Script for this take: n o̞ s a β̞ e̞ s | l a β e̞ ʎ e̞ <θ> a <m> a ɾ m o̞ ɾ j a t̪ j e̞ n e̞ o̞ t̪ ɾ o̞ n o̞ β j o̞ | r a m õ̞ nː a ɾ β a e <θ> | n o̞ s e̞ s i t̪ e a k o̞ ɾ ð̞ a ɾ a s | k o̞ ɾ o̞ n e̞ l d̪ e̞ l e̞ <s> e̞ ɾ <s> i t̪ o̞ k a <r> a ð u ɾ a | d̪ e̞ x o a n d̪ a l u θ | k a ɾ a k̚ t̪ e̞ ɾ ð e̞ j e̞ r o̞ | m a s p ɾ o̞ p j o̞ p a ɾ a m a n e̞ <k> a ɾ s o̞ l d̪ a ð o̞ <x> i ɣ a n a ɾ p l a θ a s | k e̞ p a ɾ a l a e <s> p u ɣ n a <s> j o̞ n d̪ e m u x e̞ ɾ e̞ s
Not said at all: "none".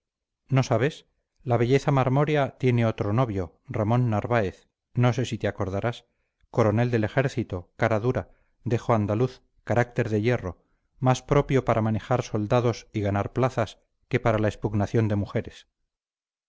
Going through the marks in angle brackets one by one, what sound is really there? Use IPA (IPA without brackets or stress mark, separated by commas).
θ, m, θ, x, θ, ɾ, x, s, s, θ